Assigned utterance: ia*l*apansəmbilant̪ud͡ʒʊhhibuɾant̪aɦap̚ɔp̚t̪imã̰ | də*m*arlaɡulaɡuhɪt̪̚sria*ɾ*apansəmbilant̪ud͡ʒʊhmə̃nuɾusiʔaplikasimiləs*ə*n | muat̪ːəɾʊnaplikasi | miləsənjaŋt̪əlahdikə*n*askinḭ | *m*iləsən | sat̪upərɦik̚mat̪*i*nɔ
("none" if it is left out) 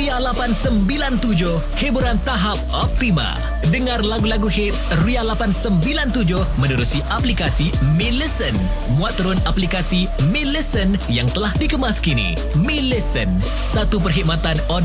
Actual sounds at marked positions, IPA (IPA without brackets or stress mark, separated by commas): l, ŋ, l, ə, m, m, a